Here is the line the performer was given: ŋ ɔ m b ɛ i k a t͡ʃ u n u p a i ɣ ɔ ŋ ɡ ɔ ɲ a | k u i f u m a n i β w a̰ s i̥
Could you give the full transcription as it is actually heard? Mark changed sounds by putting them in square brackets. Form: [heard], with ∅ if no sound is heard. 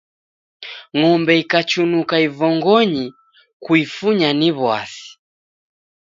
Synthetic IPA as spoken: ŋ ɔ m b ɛ i k a t͡ʃ u n u [k] a i [v] ɔ ŋ ɡ ɔ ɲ [i] | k u i f u [ɲ] a n i β w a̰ s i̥